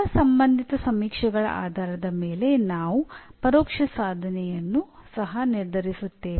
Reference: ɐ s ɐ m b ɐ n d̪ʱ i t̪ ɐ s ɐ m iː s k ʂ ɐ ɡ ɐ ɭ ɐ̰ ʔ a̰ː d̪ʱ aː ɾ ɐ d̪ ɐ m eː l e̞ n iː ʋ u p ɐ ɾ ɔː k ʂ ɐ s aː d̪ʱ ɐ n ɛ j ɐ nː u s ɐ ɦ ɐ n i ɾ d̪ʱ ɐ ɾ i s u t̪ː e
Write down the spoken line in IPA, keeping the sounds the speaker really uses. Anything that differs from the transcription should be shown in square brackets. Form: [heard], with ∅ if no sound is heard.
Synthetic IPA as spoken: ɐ s ɐ m b ɐ n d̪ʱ i t̪ ɐ s ɐ m iː [∅] k ʂ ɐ ɡ ɐ ɭ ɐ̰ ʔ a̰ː d̪ʱ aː ɾ ɐ d̪ ɐ m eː l e̞ n [aː] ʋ u p ɐ ɾ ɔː k ʂ ɐ s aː d̪ʱ ɐ n ɛ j ɐ nː u s ɐ ɦ ɐ n i ɾ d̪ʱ ɐ ɾ i s u t̪ː e